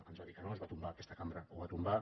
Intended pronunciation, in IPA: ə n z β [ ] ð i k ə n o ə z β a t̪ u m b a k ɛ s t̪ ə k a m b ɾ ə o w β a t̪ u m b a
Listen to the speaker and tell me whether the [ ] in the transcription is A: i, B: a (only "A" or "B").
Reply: B